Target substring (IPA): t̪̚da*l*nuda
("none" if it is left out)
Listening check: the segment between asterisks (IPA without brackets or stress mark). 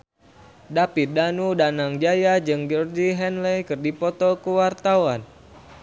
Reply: none